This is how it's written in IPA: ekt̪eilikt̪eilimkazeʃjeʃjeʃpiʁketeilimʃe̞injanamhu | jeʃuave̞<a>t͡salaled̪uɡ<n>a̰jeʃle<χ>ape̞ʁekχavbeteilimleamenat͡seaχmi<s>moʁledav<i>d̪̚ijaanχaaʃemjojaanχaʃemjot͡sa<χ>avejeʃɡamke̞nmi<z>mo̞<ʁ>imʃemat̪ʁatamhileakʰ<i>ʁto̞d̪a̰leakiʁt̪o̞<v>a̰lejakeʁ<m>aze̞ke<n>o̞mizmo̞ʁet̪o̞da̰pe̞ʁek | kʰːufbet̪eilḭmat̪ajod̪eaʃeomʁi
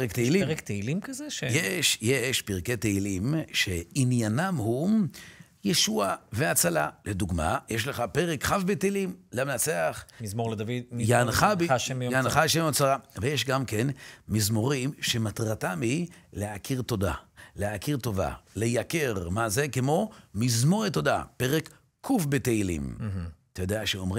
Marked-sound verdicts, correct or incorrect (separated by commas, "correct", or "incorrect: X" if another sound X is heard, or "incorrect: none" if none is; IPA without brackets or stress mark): correct, incorrect: m, correct, incorrect: z, correct, incorrect: ʁ, correct, correct, correct, correct, correct, incorrect: m